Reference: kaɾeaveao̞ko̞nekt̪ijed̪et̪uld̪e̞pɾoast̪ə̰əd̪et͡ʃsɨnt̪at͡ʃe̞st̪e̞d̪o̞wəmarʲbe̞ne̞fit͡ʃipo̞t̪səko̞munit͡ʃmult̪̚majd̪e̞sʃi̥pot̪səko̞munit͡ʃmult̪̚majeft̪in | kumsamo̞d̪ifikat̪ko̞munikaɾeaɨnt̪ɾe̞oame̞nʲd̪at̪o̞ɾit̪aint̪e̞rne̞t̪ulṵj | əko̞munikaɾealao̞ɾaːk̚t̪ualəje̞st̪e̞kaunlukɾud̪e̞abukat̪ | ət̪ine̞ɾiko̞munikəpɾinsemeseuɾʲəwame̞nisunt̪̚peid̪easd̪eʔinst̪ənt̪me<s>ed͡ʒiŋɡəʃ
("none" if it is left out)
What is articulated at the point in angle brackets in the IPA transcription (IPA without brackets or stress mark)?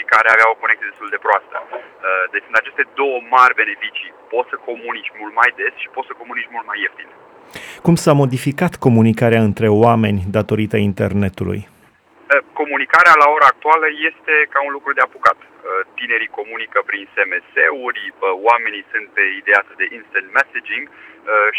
s